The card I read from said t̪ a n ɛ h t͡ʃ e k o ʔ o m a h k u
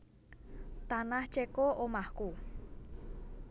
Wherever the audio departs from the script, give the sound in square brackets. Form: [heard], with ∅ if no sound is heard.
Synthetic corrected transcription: t̪ a n [a] h t͡ʃ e k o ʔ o m a h k u

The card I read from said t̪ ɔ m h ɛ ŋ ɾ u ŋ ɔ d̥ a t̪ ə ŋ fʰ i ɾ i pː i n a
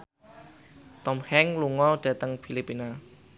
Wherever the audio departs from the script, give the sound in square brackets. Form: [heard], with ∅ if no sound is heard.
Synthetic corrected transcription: t̪ ɔ m h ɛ ŋ [l] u ŋ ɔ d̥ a t̪ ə ŋ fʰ i [l] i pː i n a

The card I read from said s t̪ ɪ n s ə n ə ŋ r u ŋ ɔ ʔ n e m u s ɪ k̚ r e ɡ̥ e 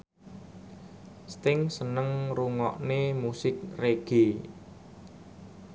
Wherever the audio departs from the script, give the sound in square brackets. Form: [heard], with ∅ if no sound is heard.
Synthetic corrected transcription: s t̪ ɪ [ŋ] s ə n ə ŋ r u ŋ ɔ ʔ n e m u s ɪ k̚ r e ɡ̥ e

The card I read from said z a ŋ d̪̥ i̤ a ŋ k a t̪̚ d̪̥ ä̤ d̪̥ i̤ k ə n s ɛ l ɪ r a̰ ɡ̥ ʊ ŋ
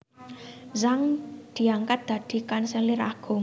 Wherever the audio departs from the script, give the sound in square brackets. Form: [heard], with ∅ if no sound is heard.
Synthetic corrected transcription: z a ŋ d̪̥ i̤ a ŋ k a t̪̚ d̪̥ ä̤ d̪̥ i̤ k [a] n s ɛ l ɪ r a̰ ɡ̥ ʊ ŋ

